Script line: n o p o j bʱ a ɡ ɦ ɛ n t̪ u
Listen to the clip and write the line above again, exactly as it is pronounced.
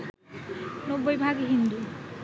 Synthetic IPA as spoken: n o b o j bʱ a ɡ ɦ i n d̪ u